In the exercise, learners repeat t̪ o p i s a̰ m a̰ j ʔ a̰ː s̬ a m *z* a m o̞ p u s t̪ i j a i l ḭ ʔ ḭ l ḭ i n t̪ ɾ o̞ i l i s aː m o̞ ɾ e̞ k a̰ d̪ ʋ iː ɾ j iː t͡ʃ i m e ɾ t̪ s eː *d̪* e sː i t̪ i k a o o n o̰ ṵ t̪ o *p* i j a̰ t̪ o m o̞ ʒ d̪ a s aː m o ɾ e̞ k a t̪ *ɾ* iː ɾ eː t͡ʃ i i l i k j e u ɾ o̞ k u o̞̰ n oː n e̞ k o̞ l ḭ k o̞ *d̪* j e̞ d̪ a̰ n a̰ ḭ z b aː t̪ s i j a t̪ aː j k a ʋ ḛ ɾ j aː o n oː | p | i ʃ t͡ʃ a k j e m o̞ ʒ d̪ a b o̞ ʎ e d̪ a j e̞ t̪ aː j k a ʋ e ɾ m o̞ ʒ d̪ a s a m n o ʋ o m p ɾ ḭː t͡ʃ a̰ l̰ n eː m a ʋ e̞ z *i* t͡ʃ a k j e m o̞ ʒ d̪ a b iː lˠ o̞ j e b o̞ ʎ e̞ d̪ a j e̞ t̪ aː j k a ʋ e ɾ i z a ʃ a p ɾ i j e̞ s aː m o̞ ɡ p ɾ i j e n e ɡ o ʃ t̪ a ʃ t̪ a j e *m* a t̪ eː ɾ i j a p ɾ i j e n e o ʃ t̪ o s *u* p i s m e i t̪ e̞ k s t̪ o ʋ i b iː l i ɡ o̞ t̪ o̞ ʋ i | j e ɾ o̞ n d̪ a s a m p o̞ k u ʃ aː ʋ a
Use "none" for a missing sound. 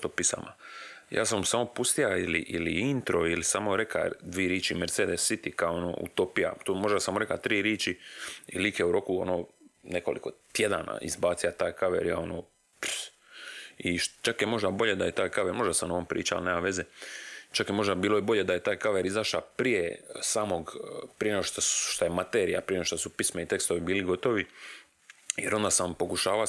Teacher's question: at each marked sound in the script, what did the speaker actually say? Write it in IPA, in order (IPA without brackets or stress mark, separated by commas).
s, d̪, p, ɾ, t̪, e, m, u